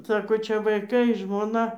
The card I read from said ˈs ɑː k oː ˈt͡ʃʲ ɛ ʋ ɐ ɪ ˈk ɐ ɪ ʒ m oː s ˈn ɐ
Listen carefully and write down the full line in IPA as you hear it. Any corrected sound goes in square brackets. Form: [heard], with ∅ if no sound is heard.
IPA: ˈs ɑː k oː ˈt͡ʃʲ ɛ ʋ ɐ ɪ ˈk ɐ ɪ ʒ m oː [∅] ˈn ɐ